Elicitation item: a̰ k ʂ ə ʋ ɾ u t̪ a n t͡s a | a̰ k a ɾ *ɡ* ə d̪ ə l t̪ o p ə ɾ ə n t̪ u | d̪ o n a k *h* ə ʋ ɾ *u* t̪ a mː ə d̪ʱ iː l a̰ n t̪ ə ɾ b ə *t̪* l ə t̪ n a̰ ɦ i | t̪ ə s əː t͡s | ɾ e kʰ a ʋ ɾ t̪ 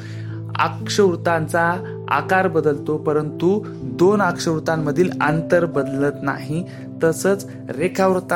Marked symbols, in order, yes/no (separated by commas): no, no, yes, no